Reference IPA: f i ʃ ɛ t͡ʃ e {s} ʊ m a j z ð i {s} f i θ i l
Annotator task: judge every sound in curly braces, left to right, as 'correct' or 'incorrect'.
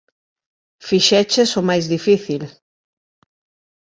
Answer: correct, incorrect: none

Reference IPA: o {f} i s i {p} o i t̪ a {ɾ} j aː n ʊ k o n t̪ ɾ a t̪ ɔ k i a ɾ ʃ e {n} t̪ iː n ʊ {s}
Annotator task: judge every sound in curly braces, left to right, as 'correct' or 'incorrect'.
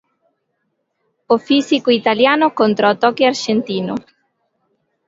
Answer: correct, incorrect: k, incorrect: l, correct, incorrect: none

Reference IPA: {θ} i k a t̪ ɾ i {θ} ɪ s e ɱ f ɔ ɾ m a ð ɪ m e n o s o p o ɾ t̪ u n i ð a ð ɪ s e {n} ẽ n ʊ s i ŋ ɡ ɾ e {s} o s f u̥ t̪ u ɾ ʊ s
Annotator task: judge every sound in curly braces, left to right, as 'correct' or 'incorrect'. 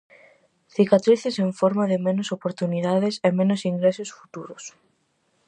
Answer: correct, correct, incorrect: m, correct

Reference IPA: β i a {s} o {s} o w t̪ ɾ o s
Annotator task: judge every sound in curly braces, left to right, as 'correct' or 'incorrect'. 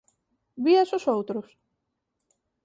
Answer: correct, correct

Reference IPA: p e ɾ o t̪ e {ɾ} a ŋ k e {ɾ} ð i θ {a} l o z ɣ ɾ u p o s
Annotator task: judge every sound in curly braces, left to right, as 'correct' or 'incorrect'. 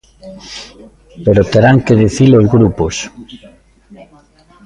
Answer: correct, incorrect: none, incorrect: i

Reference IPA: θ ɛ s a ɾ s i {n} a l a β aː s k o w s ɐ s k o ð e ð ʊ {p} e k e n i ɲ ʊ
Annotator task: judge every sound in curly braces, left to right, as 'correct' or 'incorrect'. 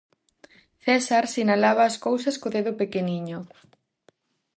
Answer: correct, correct

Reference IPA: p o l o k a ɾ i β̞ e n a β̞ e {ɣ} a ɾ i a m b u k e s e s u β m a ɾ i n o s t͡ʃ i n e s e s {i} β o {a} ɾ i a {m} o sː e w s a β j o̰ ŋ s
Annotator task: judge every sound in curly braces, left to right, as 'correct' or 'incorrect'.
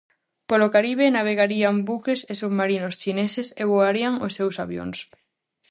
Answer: correct, incorrect: e, correct, incorrect: ŋ

